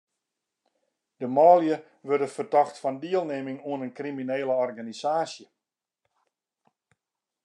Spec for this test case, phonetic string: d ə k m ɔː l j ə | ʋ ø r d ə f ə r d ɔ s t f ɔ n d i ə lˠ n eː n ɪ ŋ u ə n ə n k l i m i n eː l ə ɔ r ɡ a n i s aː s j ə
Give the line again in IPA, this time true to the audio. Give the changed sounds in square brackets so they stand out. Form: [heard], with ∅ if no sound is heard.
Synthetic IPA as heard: d ə [∅] m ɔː l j ə | ʋ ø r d ə f ə r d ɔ [x] t f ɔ n d i ə lˠ n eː [m] ɪ ŋ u ə n ə n k [r] i m i n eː l ə ɔ r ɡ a n i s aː s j ə